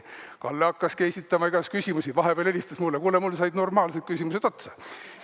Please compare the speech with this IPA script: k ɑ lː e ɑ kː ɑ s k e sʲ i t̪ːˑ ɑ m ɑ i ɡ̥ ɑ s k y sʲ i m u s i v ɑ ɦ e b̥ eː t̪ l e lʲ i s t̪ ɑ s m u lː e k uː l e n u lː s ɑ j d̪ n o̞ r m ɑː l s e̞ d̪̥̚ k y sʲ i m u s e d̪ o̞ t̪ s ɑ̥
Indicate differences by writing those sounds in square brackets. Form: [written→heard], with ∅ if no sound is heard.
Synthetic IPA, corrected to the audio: k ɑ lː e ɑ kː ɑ s k e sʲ i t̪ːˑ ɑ m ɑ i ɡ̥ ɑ s k y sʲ i m u s i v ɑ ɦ e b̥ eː [t̪→∅] l e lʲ i s t̪ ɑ s m u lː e k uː l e [n→m] u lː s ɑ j d̪ n o̞ r m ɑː l s e̞ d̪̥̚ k y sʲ i m u s e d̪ o̞ t̪ s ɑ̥

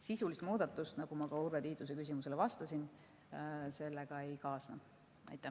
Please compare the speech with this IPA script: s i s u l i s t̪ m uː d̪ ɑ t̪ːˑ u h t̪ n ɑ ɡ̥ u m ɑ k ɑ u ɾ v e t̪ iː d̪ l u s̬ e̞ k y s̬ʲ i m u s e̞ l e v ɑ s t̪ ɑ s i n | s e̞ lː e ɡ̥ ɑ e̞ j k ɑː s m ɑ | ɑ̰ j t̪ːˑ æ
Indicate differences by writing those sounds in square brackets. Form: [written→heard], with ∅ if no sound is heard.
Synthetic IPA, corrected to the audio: s i s u l i s t̪ m uː d̪ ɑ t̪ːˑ u [h→s] t̪ n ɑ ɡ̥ u m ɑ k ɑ u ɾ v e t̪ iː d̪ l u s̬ e̞ k y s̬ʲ i m u s e̞ l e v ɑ s t̪ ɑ s i n | s e̞ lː e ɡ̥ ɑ e̞ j k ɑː s [m→n] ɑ | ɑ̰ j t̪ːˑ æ

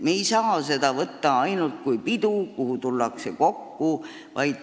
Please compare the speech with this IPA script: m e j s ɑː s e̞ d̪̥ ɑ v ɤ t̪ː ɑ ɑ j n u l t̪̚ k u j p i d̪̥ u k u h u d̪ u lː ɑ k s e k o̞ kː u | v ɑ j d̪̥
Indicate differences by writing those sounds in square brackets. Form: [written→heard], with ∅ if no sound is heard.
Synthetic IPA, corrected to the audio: m e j s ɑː s e̞ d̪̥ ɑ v ɤ t̪ː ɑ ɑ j n u l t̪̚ k u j p i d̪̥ u k u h u [d̪→t̪] u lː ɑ k s e k o̞ kː u | v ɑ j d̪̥

